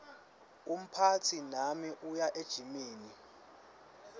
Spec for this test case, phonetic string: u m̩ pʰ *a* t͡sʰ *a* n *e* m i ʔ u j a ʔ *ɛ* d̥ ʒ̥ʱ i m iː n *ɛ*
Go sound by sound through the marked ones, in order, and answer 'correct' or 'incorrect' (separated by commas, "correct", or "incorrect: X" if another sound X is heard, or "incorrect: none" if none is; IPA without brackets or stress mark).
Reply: correct, incorrect: i, incorrect: a, incorrect: e, incorrect: i